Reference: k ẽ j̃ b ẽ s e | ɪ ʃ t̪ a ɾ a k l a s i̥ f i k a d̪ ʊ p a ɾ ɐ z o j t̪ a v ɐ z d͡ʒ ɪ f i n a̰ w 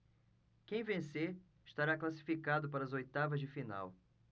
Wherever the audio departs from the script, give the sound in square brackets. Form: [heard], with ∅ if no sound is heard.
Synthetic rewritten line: k ẽ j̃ [v] ẽ s e | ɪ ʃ t̪ a ɾ a k l a s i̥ f i k a d̪ ʊ p a ɾ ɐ z o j t̪ a v ɐ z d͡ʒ ɪ f i n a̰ w